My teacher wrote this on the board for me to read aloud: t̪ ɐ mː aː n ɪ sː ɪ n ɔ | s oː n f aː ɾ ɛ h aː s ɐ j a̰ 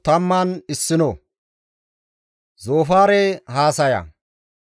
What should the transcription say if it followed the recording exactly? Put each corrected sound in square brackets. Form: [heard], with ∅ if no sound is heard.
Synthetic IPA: t̪ ɐ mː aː n ɪ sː ɪ n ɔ | [z] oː [∅] f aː ɾ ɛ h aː s ɐ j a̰